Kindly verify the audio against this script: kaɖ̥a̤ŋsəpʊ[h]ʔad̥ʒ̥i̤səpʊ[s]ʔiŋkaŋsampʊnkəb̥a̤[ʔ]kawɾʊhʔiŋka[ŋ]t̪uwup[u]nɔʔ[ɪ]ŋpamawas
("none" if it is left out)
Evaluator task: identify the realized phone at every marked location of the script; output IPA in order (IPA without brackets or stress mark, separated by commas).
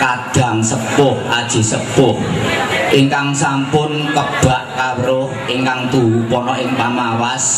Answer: h, h, ʔ, ŋ, ɔ, ɪ